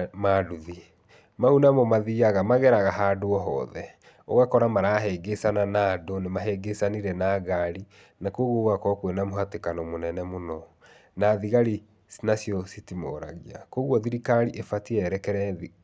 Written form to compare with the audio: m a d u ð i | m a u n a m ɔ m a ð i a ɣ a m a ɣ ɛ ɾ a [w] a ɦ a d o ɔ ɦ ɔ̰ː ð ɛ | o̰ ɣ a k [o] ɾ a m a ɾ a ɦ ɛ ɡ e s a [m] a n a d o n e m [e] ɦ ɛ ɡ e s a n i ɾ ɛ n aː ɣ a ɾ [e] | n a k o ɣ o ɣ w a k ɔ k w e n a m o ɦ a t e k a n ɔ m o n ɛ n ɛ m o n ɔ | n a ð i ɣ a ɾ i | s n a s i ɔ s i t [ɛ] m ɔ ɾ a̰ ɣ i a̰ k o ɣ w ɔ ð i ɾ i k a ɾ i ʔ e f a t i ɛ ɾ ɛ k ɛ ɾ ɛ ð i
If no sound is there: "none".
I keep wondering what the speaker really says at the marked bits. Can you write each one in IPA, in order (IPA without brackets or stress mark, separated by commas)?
ɣ, ɔ, n, a, i, i